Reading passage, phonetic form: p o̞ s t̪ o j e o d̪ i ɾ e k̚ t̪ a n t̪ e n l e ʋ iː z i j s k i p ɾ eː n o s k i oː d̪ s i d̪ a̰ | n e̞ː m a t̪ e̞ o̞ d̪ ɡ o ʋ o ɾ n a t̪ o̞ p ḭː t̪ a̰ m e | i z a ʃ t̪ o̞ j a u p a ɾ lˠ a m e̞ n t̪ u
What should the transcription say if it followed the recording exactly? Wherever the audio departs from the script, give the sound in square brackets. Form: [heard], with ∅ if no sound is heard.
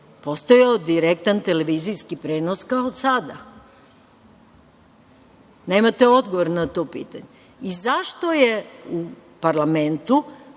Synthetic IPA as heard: p o̞ s t̪ o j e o d̪ i ɾ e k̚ t̪ a n t̪ e [∅] l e ʋ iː z i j s k i p ɾ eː n o s k [a] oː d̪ s [a] d̪ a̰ | n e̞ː m a t̪ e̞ o̞ d̪ ɡ o ʋ o ɾ n a t̪ o̞ p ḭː t̪ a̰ [ɲ] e | i z a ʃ t̪ o̞ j [e] u p a ɾ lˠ a m e̞ n t̪ u

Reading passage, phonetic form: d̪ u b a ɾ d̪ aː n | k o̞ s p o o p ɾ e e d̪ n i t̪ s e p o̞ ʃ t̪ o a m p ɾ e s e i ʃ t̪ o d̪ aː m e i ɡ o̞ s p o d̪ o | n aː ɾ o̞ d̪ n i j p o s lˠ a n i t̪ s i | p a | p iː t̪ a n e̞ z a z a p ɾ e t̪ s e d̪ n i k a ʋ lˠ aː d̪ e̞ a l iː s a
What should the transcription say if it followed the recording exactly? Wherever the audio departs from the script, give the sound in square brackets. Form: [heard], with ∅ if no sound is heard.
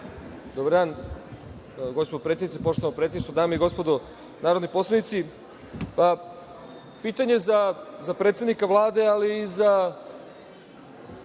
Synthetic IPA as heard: d̪ [o] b a ɾ d̪ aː n | [ɡ] o̞ s p o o p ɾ e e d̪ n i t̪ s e p o̞ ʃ t̪ o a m p ɾ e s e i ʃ t̪ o d̪ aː m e i ɡ o̞ s p o d̪ o | n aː ɾ o̞ d̪ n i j p o s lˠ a n i t̪ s i | p a | p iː t̪ a [ɲ] e̞ z a z a p ɾ e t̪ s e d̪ n i k a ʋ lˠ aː d̪ e̞ a l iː [z] a

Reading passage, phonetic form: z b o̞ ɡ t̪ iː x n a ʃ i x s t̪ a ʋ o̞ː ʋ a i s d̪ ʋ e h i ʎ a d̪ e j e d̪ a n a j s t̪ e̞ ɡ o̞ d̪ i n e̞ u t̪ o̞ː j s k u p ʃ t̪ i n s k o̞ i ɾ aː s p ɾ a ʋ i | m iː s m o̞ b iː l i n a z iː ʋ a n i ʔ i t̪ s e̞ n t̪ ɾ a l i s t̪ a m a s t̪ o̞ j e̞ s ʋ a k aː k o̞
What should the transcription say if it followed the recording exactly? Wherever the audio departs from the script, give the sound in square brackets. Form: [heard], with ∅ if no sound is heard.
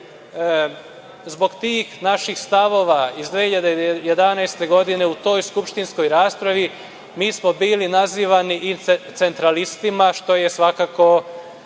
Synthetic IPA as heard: z b o̞ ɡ t̪ iː x n a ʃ i x s t̪ a ʋ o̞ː ʋ a i [z] d̪ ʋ e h i ʎ a d̪ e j e d̪ a n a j s t̪ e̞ ɡ o̞ d̪ i n e̞ u t̪ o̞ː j s k u p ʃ t̪ i n s k o̞ [j] ɾ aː s p ɾ a ʋ i | m iː s m o̞ b iː l i n a z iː ʋ a n i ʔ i t̪ s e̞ n t̪ ɾ a l i s t̪ [i] m a [ʃ] t̪ o̞ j e̞ s ʋ a k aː k o̞

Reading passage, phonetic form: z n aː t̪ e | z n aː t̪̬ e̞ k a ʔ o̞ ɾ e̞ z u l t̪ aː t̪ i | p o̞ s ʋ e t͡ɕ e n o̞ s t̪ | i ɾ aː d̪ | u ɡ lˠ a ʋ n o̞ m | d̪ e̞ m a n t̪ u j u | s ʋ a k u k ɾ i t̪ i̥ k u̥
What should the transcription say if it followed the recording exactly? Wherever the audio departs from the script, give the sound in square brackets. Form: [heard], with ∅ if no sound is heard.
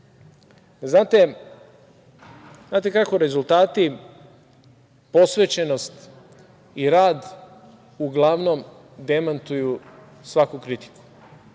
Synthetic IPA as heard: z n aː t̪ e | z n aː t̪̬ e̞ k a [k] o̞ ɾ e̞ z u l t̪ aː t̪ i | p o̞ s ʋ e t͡ɕ e n o̞ s t̪ | i ɾ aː d̪ | u ɡ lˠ a ʋ n o̞ m | d̪ e̞ m a n t̪ u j u | s ʋ a k u k ɾ i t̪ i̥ k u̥

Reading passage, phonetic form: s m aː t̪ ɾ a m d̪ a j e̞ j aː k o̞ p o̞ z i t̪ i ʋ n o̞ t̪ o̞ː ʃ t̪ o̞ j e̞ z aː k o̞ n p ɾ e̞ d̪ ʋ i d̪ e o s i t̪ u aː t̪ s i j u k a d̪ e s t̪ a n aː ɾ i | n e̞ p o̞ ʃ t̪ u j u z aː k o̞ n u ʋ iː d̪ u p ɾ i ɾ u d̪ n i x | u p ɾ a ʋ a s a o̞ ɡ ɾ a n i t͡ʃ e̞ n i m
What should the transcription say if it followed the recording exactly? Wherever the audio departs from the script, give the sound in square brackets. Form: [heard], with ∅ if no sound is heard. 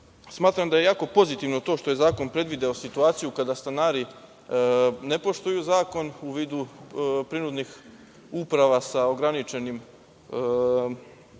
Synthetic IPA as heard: s m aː t̪ ɾ a m d̪ a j e̞ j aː k o̞ p o̞ z i t̪ i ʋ n o̞ t̪ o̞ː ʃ t̪ o̞ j e̞ z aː k o̞ n p ɾ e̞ d̪ ʋ i d̪ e o s i t̪ u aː t̪ s i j u k a d̪ [a] s t̪ a n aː ɾ i | n e̞ p o̞ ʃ t̪ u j u z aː k o̞ n u ʋ iː d̪ u p ɾ i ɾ u d̪ n i x | u p ɾ a ʋ a s a o̞ ɡ ɾ a n i t͡ʃ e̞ n i m

